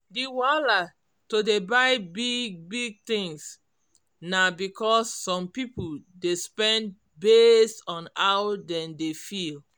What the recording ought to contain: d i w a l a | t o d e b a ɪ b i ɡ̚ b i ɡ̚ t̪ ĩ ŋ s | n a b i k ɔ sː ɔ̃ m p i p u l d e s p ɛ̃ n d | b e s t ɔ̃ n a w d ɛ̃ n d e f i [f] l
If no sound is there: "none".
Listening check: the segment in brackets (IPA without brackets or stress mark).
none